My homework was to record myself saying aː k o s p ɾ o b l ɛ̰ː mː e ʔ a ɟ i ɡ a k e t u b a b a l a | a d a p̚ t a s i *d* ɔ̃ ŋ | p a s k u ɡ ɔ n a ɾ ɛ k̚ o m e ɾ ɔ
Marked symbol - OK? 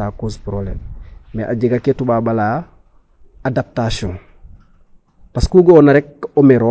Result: no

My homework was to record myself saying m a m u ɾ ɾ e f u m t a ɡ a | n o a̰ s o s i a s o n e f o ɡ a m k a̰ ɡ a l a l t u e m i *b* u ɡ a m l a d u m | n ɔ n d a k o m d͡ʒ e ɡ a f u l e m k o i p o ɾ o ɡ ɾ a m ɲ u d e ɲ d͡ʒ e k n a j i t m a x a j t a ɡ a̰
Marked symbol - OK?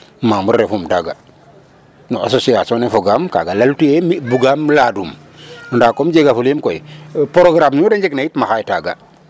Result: yes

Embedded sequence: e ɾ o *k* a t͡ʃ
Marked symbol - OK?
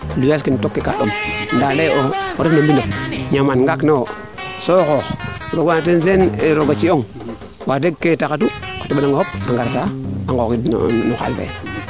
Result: no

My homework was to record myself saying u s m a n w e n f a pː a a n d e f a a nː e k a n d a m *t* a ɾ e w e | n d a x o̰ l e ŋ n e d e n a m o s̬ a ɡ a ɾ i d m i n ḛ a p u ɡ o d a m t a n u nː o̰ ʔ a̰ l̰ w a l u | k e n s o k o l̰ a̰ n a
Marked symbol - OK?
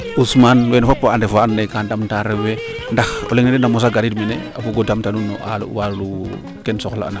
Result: yes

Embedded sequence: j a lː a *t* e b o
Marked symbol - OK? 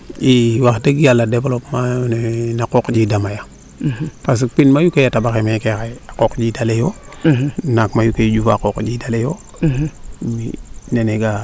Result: no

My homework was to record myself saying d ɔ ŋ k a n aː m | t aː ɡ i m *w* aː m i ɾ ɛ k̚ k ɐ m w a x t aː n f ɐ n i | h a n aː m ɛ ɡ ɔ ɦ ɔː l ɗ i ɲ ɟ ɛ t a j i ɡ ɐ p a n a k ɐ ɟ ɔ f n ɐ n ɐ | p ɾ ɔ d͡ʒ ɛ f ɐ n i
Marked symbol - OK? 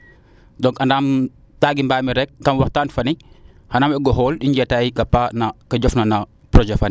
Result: no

